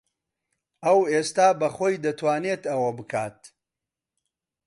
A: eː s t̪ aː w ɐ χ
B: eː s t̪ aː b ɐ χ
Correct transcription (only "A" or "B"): B